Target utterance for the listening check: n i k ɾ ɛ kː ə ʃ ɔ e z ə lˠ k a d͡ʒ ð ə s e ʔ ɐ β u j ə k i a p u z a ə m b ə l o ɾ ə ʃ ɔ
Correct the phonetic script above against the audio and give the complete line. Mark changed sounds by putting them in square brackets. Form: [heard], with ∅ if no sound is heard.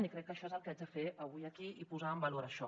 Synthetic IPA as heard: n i k ɾ ɛ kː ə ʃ ɔ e z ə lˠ k a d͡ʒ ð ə [f] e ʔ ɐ β u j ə k i [i] p u z a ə m b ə l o ɾ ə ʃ ɔ